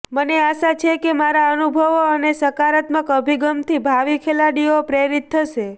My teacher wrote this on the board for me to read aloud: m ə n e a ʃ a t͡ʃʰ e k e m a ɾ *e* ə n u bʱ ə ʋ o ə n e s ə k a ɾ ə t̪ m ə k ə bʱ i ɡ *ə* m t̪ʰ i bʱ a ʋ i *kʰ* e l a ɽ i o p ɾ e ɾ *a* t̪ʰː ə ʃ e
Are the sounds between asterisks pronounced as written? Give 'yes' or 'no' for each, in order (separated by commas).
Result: no, yes, yes, no